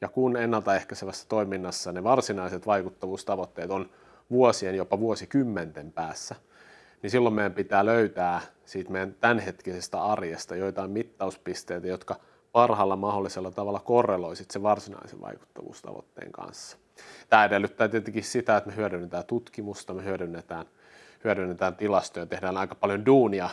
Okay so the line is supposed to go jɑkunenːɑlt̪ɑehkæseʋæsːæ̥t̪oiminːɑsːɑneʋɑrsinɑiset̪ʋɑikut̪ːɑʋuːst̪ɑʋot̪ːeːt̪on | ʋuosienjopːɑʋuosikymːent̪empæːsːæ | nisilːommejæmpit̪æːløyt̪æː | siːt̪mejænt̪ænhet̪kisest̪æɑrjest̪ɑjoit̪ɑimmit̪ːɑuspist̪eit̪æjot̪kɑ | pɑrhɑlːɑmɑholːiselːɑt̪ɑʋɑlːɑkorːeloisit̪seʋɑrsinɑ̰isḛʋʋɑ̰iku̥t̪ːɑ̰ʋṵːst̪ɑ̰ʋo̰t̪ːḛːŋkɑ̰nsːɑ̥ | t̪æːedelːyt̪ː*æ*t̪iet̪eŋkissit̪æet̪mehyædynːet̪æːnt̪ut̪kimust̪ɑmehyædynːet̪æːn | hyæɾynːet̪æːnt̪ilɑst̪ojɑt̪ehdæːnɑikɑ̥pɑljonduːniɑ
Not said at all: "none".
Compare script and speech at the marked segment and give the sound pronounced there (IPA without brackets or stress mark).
æː